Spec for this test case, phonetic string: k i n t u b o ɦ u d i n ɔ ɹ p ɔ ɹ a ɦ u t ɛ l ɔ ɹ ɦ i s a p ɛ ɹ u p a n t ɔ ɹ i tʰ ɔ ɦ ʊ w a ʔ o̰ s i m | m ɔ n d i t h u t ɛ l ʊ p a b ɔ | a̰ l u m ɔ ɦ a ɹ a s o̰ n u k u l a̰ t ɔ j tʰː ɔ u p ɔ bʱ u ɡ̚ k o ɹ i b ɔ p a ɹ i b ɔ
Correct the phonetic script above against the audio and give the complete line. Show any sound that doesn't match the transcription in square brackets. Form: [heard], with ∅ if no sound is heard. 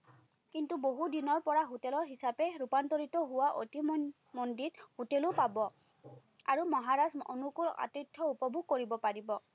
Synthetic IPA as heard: k i n t u b o ɦ u d i n ɔ ɹ p ɔ ɹ a ɦ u t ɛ l ɔ ɹ ɦ i s a p ɛ ɹ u p a n t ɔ ɹ i [t] ɔ ɦ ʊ w a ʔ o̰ [t] i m | m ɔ n d i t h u t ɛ l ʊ p a b ɔ | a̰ [ɹ] u m ɔ ɦ a ɹ a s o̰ n u k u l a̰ t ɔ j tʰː ɔ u p ɔ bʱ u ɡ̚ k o ɹ i b ɔ p a ɹ i b ɔ